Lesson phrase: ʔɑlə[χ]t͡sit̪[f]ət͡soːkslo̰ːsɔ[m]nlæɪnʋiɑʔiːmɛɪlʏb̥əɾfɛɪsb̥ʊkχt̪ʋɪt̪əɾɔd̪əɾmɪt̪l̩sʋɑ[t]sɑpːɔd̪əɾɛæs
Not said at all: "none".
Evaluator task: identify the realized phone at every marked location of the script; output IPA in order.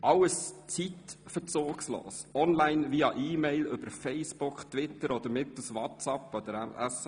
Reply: s, f, none, t

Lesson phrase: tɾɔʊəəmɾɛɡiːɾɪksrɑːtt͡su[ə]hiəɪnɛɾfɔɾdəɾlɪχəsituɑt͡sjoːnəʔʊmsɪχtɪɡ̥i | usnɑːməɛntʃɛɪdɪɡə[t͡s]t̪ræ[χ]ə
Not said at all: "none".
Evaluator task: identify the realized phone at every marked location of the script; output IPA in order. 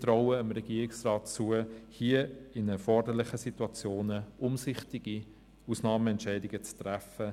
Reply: ə, t͡s, f

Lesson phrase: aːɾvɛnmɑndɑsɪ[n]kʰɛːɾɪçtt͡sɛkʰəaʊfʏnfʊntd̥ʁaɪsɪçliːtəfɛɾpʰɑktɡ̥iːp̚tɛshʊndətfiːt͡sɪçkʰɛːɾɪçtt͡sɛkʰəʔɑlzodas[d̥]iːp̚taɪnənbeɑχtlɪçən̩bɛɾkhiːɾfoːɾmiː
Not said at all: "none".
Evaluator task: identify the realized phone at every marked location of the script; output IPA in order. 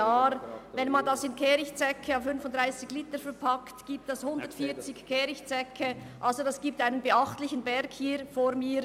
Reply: n, ɡ̥

